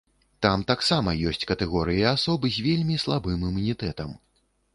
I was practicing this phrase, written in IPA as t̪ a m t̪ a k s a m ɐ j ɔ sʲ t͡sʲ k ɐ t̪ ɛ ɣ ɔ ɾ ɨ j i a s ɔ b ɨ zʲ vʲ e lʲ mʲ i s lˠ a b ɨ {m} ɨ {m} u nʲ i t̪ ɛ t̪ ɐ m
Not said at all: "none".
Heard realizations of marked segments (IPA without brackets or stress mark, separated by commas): m, m